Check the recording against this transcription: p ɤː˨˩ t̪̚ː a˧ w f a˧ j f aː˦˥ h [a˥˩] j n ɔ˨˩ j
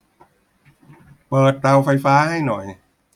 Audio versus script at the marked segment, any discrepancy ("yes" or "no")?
no